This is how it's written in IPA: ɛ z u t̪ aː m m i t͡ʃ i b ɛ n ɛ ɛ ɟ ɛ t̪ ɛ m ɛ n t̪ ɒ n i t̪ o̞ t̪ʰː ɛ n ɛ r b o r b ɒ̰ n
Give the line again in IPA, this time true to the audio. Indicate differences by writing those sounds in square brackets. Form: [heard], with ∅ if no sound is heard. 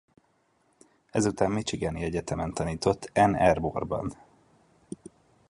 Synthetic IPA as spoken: ɛ z u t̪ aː m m i t͡ʃ i [ɡ] ɛ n [i] ɛ ɟ ɛ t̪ ɛ m ɛ n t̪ ɒ n [iː] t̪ o̞ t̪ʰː ɛ n ɛ r b o r b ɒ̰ n